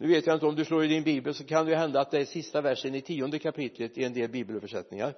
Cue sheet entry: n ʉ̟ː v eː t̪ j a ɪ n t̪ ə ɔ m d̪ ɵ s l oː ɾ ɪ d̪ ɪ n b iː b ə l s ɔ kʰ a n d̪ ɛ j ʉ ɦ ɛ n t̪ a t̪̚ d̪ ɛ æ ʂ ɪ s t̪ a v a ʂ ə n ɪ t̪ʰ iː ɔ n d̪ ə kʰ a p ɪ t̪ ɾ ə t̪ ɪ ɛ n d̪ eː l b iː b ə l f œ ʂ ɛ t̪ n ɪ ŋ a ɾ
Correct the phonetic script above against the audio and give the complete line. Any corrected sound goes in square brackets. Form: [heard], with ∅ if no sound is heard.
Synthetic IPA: n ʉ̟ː v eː t̪ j a ɪ n t̪ ə ɔ m d̪ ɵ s l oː ɾ ɪ d̪ ɪ n b iː b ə l s ɔ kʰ a n d̪ ɛ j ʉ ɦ ɛ n [d̪] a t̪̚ d̪ ɛ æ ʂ ɪ s t̪ a v [æ] ʂ ə n ɪ t̪ʰ iː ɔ n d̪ ə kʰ a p ɪ t̪ [l] ə t̪ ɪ ɛ n d̪ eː l b iː b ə l f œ ʂ ɛ t̪ n ɪ ŋ a ɾ